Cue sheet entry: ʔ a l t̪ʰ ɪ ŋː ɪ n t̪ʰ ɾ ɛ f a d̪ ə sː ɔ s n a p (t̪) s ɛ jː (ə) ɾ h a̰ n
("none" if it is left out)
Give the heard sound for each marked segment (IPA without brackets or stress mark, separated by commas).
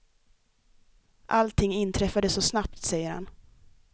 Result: t̪, ə